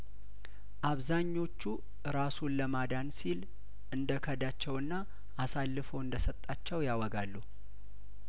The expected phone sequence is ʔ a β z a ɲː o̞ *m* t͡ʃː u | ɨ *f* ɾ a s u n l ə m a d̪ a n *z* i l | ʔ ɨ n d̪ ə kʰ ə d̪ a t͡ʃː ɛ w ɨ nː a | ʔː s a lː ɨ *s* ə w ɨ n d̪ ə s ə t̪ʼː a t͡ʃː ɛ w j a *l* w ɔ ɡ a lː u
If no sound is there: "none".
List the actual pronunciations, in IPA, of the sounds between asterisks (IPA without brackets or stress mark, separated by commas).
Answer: none, none, s, f, none